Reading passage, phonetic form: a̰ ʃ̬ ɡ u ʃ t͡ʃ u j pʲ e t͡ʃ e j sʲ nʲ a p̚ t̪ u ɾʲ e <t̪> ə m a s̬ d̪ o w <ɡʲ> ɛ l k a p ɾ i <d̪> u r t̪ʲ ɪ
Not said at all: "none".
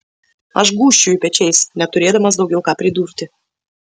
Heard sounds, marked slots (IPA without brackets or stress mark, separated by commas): d̪, ɡʲ, d̪